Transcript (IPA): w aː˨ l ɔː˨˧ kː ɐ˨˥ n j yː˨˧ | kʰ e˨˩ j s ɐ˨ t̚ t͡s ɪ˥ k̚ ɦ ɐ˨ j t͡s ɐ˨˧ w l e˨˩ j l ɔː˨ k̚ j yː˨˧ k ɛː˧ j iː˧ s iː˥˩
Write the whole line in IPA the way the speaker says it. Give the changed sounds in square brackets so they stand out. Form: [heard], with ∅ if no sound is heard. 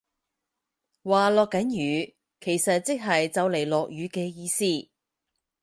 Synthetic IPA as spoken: w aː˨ l ɔː˨˧ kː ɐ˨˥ n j yː˨˧ | kʰ e˨˩ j s ɐ˨ t̚ t͡s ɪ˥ k̚ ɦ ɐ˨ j t͡s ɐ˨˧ w l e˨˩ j l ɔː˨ k̚ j yː˨˧ k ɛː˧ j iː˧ s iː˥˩

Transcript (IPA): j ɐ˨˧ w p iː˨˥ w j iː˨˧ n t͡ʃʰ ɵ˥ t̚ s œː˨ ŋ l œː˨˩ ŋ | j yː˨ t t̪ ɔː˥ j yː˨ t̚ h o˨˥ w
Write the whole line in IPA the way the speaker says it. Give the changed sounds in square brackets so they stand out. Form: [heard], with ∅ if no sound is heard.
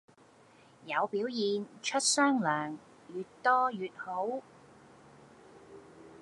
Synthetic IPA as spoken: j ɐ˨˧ w p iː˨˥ w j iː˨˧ n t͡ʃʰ ɵ˥ t̚ s [œː˥] ŋ l œː˨˩ ŋ | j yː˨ t t̪ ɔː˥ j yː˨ t̚ h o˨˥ w

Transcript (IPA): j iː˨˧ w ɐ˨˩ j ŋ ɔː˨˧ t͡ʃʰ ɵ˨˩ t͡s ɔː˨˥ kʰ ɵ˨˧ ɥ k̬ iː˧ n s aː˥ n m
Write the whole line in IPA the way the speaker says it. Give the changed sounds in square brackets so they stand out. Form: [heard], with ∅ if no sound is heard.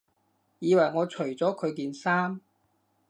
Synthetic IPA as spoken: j iː˨˧ w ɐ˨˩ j ŋ ɔː˨˧ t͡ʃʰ ɵ˨˩ t͡s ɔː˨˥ kʰ ɵ˨˧ ɥ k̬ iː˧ n s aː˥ [∅] m

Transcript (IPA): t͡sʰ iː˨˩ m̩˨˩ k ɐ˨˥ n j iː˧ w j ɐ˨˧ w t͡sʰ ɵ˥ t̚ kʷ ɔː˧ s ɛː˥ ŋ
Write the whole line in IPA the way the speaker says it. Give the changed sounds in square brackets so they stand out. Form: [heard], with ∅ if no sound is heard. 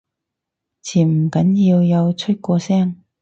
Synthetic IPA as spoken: t͡sʰ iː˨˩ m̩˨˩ k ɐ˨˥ n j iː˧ w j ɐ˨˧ w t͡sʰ ɵ˥ t̚ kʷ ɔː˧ s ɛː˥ ŋ

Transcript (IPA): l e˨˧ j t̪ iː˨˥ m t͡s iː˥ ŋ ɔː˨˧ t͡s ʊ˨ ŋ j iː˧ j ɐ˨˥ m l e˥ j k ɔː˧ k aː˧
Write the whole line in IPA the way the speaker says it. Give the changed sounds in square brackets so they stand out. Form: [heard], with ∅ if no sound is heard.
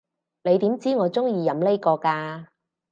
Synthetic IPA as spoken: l e˨˧ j t̪ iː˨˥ m t͡s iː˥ ŋ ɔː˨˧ t͡s [ʊ˥] ŋ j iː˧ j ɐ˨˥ m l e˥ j k ɔː˧ k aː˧

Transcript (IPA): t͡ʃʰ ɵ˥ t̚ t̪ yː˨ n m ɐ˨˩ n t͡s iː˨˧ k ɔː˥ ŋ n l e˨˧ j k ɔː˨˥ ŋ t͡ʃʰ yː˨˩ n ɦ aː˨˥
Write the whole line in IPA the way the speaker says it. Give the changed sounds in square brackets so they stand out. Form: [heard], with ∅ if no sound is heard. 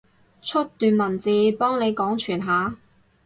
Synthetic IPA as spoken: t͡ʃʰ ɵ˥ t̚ t̪ yː˨ n m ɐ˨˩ n t͡s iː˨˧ [p] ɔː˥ ŋ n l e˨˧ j k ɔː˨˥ ŋ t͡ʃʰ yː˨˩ n ɦ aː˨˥

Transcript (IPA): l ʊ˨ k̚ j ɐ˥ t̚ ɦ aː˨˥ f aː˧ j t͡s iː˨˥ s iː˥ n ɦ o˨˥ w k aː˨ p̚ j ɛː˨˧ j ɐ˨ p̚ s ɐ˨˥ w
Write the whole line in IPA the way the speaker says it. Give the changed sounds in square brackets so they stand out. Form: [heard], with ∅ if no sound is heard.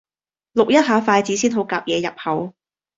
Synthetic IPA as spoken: l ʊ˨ k̚ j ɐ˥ t̚ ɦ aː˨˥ f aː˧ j t͡s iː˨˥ s iː˥ n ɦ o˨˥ w k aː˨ p̚ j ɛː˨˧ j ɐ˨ p̚ [h] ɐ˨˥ w

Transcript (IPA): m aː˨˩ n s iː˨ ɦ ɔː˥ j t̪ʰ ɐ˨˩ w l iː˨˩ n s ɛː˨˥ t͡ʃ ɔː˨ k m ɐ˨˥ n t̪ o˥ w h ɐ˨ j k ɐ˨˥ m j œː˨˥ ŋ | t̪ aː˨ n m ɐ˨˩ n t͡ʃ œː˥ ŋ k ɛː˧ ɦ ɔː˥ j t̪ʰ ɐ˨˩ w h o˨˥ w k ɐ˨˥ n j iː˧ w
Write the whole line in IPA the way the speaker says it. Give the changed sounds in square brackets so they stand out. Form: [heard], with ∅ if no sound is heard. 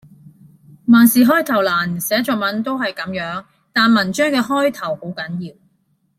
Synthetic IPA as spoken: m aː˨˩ n s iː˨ ɦ ɔː˥ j t̪ʰ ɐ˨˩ w l [aː˨˩] n s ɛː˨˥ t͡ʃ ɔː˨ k m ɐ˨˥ n t̪ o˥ w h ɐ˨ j k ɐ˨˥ m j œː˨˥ ŋ | t̪ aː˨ n m ɐ˨˩ n t͡ʃ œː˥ ŋ k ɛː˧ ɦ ɔː˥ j t̪ʰ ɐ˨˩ w h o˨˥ w k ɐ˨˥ n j iː˧ w

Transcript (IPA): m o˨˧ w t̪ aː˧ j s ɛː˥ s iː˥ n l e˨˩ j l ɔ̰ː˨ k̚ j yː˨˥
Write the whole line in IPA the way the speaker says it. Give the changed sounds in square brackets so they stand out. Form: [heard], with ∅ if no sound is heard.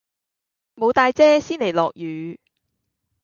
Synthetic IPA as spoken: m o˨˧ w t̪ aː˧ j [t͡s] ɛː˥ s iː˥ n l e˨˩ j l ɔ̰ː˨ k̚ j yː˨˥

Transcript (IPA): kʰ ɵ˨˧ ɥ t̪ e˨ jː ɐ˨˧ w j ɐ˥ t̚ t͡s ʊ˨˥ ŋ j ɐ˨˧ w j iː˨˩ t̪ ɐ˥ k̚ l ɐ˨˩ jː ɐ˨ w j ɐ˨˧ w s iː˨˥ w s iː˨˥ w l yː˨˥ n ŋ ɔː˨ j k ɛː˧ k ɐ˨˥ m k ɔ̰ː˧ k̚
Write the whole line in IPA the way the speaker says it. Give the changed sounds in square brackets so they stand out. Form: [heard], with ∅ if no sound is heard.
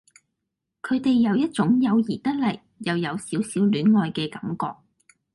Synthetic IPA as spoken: kʰ ɵ˨˧ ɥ t̪ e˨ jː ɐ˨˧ w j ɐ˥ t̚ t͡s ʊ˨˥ ŋ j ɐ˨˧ w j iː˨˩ t̪ ɐ˥ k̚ l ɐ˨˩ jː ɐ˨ w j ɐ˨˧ w s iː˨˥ w s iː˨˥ w l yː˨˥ n ŋ ɔː˨ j k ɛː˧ k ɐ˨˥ m k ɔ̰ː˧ k̚

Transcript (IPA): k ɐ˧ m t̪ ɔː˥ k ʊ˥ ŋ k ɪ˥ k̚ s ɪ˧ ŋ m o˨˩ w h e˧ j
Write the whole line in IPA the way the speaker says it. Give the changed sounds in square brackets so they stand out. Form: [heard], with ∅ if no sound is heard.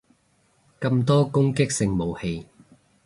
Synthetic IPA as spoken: k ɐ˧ m t̪ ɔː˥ k ʊ˥ ŋ k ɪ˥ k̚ s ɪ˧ ŋ m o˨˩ w h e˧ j

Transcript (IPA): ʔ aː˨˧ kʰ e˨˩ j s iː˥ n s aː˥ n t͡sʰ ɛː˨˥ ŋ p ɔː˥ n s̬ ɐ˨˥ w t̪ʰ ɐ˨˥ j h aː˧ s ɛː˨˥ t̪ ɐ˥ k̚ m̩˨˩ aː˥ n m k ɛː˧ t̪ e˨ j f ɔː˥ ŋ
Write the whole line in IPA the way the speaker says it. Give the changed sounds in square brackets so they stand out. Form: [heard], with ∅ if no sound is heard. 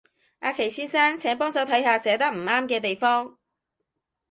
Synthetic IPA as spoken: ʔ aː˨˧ kʰ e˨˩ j s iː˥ n s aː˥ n t͡sʰ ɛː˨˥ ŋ p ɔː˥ [ŋ] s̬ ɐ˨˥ w t̪ʰ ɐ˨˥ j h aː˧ s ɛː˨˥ t̪ ɐ˥ k̚ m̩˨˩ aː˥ [∅] m k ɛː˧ t̪ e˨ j f ɔː˥ ŋ

